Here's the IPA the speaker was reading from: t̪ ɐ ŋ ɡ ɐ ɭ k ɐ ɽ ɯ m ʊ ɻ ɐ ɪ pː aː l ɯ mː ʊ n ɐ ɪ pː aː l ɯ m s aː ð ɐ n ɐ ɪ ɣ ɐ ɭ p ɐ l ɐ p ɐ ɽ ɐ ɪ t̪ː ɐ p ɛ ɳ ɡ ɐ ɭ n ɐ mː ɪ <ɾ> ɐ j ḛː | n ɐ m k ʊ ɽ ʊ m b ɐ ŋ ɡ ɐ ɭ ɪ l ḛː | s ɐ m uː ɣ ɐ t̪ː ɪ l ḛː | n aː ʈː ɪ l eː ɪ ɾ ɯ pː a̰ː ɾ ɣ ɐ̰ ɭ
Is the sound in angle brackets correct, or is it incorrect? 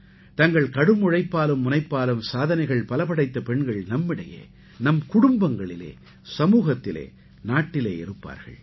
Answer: incorrect